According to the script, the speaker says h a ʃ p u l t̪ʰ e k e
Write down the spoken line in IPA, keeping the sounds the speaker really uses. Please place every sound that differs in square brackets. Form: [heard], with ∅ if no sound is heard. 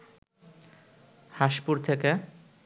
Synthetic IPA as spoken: h a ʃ p u [ɾ] t̪ʰ e k e